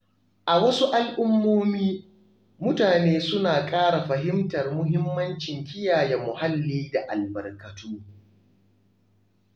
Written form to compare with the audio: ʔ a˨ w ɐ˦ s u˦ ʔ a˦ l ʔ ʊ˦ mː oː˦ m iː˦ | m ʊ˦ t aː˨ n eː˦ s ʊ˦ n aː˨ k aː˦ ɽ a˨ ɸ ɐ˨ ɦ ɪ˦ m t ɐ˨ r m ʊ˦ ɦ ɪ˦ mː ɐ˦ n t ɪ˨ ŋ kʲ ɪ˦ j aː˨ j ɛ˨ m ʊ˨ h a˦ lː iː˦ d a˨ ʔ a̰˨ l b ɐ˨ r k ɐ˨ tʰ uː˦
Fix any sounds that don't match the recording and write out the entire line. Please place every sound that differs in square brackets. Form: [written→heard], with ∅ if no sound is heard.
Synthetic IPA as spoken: ʔ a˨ w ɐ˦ s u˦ ʔ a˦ l ʔ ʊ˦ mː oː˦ m iː˦ | m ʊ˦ t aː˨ n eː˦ s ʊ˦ n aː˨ [k→kʼ] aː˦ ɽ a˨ ɸ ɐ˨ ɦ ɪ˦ m t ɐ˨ r m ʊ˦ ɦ ɪ˦ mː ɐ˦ n [t→t͡ʃ] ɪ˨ ŋ kʲ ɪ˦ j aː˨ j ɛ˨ m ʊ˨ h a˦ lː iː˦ d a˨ ʔ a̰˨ l b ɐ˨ r k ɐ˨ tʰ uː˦